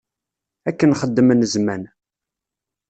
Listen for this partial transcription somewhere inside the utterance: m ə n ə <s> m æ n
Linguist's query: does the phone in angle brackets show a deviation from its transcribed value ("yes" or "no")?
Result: yes